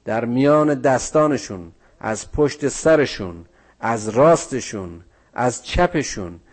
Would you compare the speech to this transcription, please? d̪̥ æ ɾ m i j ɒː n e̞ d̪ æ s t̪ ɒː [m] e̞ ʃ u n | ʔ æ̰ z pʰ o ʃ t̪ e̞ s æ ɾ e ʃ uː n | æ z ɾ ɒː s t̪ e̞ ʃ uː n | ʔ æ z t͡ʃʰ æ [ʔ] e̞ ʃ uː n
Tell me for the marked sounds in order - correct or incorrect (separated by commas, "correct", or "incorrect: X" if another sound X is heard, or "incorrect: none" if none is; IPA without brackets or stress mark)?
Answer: incorrect: n, incorrect: p